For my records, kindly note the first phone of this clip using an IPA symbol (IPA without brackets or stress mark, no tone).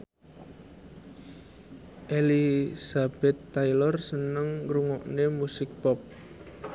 ʔ